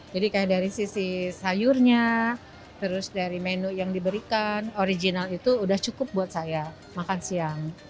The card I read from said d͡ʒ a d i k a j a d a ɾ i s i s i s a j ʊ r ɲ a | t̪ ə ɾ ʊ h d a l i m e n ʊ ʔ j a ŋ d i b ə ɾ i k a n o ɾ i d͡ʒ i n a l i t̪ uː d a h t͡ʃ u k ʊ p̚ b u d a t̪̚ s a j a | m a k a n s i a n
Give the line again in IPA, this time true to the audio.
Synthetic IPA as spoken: d͡ʒ a d i k a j a d a ɾ i s i s i s a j ʊ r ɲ a | t̪ ə ɾ ʊ s d a ɾ i m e n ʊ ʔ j a ŋ d i b ə ɾ i k a n o ɾ i d͡ʒ i n a l i t̪ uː d a h t͡ʃ u k ʊ p̚ b u a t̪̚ s a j a | m a k a n s i a ŋ